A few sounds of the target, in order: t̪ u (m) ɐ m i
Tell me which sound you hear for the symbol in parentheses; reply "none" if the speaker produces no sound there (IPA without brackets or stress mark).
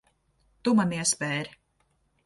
m